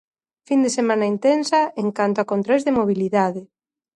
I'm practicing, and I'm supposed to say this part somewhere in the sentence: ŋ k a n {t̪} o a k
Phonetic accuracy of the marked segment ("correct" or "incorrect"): correct